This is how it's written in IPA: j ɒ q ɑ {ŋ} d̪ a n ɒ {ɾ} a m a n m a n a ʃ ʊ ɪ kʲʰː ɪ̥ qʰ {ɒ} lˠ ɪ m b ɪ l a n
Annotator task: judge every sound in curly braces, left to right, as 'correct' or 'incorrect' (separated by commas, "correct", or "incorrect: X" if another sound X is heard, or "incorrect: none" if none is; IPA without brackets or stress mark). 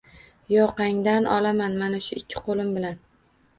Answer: correct, incorrect: l, incorrect: o